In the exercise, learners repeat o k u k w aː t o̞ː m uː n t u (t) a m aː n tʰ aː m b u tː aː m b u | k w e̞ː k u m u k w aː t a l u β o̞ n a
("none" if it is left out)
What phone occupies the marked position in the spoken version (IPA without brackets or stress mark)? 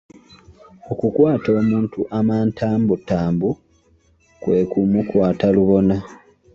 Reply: ʔ